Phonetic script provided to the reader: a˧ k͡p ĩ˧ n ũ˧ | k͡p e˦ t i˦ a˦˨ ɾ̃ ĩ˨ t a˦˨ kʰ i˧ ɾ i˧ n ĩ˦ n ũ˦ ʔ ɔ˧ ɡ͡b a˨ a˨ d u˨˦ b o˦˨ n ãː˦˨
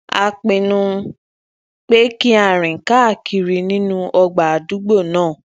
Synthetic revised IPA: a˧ k͡p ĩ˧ n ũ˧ | k͡p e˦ k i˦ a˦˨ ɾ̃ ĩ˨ k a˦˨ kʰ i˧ ɾ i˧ n ĩ˦ n ũ˦ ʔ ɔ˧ ɡ͡b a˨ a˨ d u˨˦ ɡ͡b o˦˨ n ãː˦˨